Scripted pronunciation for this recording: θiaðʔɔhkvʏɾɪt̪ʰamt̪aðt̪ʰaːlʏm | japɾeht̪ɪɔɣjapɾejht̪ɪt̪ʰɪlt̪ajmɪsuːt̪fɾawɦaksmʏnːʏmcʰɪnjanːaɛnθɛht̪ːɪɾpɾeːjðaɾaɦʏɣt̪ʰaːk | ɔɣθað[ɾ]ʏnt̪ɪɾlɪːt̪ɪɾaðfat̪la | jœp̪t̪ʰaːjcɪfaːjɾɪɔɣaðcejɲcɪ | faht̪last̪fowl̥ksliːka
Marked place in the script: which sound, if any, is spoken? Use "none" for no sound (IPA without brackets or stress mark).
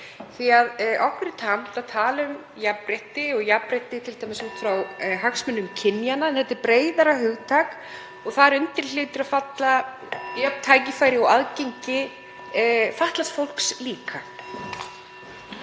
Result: ɾ